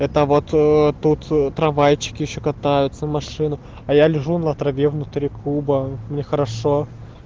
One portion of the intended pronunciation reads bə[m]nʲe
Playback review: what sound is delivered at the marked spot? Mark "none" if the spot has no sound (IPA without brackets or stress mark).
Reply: m